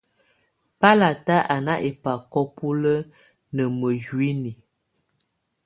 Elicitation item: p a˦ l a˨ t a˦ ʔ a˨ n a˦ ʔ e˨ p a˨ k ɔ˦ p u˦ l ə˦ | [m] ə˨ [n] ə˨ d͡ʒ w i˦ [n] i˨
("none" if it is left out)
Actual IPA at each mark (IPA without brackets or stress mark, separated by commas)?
n, m, n